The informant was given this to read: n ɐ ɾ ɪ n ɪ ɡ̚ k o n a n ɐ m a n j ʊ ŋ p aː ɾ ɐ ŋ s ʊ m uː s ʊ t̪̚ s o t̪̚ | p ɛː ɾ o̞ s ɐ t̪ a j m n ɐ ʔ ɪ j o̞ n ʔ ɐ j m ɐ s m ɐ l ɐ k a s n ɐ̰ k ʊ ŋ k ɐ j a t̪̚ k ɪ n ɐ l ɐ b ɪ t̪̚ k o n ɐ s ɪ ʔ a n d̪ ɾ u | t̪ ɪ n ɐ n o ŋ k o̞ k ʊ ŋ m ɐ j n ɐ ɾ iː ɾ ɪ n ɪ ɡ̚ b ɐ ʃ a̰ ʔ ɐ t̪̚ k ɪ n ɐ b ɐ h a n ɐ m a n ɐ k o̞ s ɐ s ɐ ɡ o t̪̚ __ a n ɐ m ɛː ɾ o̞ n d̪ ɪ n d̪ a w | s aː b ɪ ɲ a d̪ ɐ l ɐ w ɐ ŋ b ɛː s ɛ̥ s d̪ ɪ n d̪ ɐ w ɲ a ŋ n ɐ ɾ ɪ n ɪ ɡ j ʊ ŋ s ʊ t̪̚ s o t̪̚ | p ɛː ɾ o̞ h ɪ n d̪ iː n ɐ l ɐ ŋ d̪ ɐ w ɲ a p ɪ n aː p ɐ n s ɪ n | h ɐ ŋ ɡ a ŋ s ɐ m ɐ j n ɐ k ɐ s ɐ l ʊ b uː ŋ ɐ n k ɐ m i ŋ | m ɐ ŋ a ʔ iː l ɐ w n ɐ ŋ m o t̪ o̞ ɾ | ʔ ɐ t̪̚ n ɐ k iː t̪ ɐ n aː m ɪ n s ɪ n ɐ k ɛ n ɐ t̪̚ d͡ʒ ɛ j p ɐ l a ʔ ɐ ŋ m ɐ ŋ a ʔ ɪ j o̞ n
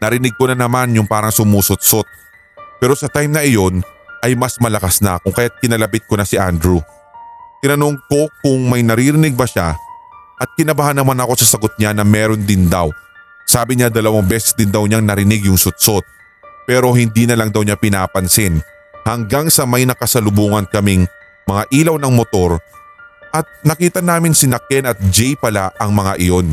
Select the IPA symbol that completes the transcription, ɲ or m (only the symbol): ɲ